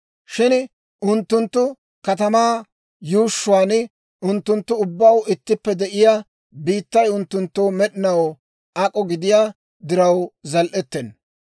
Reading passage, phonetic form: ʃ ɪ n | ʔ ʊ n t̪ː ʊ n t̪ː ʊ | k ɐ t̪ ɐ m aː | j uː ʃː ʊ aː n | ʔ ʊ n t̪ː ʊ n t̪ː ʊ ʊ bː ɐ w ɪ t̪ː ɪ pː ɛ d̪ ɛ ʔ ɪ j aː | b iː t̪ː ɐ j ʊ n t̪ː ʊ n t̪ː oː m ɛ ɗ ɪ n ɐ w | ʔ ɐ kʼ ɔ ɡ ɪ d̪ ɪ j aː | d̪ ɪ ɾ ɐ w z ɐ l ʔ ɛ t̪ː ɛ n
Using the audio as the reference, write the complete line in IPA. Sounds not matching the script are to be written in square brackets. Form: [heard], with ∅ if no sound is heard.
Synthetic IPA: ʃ ɪ n | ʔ ʊ n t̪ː ʊ n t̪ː ʊ | k ɐ t̪ ɐ m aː | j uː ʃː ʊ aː n | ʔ ʊ n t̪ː ʊ n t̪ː ʊ ʊ bː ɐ w ɪ t̪ː ɪ pː ɛ d̪ ɛ ʔ ɪ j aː | b iː t̪ː ɐ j ʊ n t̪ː ʊ n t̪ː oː m ɛ ɗ ɪ n ɐ w | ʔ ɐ kʼ ɔ ɡ ɪ d̪ ɪ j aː | d̪ ɪ ɾ ɐ w z ɐ l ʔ ɛ t̪ː ɛ n